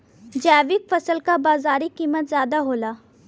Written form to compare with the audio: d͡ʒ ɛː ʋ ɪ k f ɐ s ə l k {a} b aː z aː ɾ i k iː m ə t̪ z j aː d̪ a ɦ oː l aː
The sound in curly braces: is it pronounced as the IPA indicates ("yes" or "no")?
yes